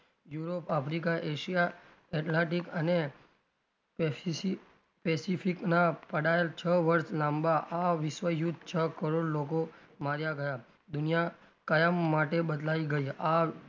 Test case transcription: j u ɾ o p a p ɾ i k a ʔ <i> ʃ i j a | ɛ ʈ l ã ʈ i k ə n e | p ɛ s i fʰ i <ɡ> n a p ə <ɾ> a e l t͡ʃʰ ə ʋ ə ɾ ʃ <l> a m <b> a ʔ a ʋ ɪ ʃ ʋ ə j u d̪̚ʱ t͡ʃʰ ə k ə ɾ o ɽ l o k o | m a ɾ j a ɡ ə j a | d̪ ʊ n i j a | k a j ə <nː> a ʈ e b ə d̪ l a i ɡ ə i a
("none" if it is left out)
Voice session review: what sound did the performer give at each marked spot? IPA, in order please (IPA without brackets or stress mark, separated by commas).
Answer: e, k, ɽ, l, b, mː